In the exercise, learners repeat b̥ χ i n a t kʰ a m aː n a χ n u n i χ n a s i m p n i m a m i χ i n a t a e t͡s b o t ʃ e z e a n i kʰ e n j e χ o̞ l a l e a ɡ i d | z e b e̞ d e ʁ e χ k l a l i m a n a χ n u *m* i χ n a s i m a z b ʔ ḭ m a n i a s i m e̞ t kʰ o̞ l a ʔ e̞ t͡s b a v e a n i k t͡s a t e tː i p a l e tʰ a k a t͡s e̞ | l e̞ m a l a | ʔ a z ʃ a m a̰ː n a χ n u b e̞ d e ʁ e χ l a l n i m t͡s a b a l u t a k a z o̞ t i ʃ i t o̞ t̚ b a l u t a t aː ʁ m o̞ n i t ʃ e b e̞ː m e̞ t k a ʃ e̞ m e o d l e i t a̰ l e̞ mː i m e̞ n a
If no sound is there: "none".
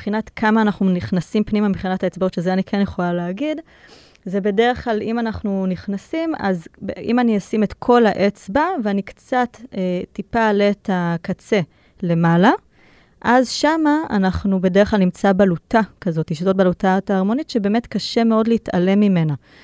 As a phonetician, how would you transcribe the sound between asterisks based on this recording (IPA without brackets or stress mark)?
n